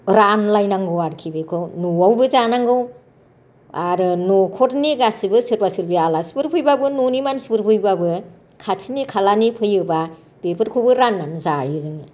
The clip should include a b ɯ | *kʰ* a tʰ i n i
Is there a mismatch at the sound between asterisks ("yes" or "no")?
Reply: no